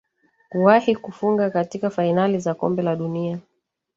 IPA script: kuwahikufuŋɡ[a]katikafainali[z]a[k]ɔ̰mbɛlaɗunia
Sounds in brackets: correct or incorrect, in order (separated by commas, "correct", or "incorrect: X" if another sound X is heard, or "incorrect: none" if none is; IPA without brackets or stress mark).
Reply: correct, correct, correct